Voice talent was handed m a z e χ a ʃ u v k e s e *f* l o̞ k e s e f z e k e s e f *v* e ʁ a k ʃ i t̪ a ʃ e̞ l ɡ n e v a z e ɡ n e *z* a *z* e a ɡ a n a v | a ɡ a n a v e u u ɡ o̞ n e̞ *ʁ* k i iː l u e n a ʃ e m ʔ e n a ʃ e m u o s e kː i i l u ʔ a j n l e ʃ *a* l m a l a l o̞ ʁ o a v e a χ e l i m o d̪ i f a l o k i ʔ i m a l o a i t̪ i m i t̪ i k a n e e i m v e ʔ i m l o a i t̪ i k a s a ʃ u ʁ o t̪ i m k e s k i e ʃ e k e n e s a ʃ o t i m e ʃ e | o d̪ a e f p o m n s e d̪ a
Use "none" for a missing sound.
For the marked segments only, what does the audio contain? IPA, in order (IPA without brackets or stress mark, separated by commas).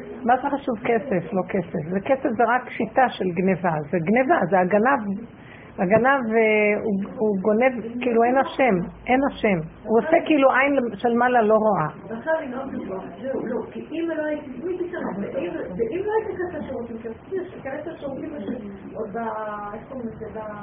f, z, v, z, v, e